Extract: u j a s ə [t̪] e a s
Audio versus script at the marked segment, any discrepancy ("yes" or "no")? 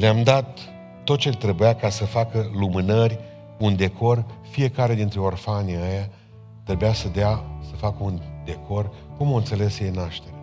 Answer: yes